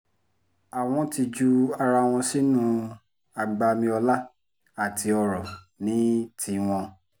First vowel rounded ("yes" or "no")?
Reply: no